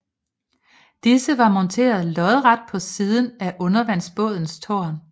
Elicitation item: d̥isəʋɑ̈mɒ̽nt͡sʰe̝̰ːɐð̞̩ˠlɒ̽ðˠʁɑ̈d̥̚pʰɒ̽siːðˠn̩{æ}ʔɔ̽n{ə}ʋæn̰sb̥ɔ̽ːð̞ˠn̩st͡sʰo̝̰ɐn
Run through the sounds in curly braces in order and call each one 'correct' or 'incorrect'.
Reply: correct, incorrect: ɐ

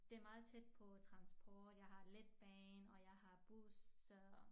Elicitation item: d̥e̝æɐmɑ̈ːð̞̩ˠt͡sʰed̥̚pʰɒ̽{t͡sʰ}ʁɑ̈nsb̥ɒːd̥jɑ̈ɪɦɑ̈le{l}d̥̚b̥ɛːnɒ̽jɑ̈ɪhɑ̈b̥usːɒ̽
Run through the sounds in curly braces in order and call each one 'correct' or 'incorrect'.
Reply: correct, incorrect: none

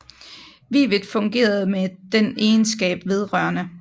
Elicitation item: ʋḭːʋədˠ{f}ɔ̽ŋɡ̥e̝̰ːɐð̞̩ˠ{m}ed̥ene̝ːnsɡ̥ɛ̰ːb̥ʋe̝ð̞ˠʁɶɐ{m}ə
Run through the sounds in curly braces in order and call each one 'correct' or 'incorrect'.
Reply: correct, correct, incorrect: n

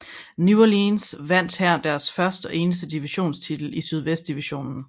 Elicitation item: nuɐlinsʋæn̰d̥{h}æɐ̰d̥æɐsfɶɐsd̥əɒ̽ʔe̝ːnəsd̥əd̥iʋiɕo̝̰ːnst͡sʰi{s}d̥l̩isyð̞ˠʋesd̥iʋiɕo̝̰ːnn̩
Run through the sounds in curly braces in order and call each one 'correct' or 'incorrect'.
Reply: correct, incorrect: none

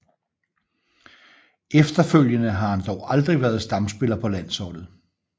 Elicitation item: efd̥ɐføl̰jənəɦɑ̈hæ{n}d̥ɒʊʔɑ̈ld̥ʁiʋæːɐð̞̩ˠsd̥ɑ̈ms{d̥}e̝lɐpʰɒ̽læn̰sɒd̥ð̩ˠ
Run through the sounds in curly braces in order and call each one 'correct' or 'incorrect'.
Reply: correct, incorrect: b̥

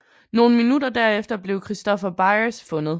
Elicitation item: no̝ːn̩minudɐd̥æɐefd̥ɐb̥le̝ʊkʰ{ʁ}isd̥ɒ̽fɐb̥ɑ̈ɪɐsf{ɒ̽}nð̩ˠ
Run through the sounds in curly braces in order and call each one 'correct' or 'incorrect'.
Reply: correct, incorrect: ɔ̽

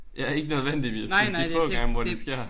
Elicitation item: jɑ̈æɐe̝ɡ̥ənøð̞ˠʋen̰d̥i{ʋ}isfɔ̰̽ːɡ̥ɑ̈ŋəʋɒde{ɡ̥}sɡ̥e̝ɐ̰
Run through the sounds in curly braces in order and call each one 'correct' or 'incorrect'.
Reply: correct, incorrect: none

